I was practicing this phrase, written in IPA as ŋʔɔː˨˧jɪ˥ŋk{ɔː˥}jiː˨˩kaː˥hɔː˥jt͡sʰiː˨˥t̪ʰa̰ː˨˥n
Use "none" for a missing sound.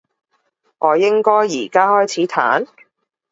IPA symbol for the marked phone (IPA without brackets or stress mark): ɔː˥